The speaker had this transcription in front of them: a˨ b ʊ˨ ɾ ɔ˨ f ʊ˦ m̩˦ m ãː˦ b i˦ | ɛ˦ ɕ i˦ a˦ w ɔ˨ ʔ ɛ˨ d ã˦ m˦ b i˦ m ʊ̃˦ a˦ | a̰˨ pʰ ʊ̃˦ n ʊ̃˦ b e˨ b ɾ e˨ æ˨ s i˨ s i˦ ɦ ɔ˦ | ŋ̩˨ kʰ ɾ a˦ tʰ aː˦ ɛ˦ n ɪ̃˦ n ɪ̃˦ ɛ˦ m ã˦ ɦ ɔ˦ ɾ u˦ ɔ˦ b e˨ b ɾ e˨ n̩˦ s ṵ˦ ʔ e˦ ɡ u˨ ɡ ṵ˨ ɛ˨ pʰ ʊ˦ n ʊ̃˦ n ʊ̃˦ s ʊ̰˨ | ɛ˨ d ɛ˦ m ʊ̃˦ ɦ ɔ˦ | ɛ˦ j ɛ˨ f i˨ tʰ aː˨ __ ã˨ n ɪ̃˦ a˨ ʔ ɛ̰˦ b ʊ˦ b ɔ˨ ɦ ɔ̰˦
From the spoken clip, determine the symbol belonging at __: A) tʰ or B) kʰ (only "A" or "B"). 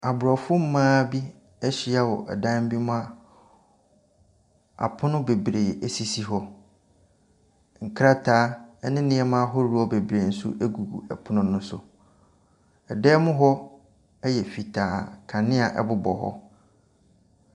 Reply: B